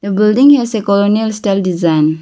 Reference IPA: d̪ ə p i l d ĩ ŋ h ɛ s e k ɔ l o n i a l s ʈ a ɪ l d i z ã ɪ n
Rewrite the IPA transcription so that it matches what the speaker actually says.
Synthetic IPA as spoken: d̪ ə b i l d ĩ ŋ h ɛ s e k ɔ l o n i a l s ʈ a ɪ l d i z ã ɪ n